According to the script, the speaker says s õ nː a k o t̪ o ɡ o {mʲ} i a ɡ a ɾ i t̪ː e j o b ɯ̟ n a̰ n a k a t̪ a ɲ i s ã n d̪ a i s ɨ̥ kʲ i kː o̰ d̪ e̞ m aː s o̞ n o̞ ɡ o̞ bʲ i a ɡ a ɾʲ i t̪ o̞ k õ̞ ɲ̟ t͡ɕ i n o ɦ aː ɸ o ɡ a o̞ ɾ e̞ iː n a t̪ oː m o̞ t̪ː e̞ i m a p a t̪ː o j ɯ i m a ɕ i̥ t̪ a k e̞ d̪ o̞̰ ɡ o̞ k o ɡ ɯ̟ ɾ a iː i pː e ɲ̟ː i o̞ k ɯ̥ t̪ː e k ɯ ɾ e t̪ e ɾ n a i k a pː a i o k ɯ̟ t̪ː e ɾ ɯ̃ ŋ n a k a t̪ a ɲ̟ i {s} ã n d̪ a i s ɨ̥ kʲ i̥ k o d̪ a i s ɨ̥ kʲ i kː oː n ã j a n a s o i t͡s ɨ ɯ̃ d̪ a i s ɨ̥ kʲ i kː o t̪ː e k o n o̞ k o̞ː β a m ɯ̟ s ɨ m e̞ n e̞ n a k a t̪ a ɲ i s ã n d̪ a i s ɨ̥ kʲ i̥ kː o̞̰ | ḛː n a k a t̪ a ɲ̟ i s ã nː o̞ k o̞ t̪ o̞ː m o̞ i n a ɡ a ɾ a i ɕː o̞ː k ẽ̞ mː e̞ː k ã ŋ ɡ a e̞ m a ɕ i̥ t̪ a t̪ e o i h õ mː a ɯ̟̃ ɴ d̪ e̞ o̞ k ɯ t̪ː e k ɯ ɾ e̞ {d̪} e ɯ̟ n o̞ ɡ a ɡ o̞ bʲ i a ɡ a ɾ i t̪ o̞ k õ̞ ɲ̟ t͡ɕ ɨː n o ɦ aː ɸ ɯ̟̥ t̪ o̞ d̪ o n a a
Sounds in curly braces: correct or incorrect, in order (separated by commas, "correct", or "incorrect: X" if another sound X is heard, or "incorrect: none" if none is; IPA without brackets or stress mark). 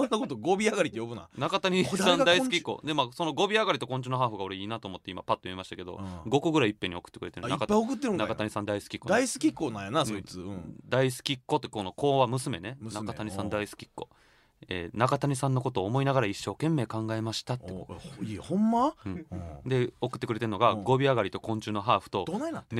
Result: incorrect: bʲ, correct, incorrect: t̪